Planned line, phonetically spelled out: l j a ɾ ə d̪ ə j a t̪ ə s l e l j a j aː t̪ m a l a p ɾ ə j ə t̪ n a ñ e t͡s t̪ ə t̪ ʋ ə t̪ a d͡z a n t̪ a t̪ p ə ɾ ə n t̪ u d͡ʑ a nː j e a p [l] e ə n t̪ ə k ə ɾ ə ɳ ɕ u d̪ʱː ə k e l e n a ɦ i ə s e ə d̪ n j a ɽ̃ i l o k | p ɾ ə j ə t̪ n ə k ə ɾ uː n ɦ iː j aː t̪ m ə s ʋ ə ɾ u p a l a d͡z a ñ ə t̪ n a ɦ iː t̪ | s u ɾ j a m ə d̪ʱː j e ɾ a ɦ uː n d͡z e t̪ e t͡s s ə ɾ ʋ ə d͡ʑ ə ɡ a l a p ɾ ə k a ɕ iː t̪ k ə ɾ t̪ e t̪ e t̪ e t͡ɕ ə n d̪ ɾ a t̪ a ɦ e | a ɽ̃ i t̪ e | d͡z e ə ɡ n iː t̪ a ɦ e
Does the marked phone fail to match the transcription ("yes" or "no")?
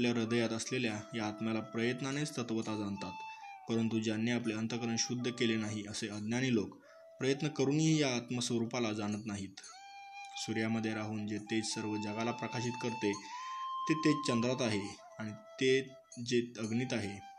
no